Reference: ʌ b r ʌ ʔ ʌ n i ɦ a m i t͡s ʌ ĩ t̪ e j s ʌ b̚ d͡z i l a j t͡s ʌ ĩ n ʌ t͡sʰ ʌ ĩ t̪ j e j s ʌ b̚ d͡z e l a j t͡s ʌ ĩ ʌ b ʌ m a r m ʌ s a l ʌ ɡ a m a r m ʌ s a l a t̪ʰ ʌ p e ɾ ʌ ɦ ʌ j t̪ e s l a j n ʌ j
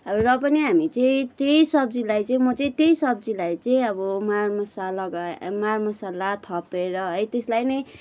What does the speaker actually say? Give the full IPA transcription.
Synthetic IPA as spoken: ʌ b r ʌ p ʌ n i ɦ a m i t͡s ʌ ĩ t̪ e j s ʌ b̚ d͡z i l a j t͡s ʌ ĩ m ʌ t͡s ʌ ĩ t̪ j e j s ʌ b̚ d͡z i l a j t͡s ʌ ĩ ʌ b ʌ m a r m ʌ s a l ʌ ɡ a m a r m ʌ s a l a t̪ʰ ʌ p e ɾ ʌ ɦ ʌ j t̪ e s l a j n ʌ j